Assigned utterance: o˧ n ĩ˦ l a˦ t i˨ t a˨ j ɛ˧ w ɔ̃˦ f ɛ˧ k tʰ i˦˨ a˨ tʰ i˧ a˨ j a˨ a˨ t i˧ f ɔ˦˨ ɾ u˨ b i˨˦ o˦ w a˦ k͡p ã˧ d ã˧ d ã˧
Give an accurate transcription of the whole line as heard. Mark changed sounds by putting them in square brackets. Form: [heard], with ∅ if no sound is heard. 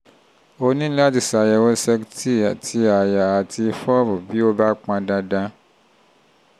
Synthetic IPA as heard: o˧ n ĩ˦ l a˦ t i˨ [s] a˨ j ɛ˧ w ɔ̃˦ [s] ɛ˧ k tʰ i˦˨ a˨ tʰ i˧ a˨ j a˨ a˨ t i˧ f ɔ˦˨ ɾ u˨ b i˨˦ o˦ [b] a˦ k͡p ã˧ d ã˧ d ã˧